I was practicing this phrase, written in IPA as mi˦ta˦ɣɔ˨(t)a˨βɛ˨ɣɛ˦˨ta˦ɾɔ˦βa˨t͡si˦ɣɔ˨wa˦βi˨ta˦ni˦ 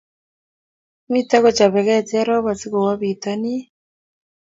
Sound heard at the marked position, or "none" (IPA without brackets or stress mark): t͡ʃ